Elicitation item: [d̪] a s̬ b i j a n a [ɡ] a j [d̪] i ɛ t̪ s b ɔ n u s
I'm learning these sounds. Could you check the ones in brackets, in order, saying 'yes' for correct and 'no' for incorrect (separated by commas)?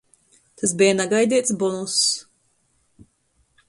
no, yes, yes